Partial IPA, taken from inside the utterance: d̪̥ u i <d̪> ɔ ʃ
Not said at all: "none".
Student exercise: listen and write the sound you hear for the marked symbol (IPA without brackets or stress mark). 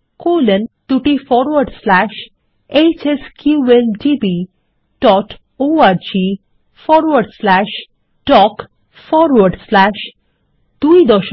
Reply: d̪